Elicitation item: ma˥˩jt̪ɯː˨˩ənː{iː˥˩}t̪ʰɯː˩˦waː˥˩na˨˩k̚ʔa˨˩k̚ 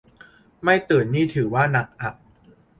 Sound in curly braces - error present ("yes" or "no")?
no